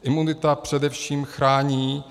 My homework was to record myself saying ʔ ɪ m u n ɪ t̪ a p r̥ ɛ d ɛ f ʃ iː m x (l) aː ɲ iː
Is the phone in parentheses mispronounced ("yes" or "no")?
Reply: yes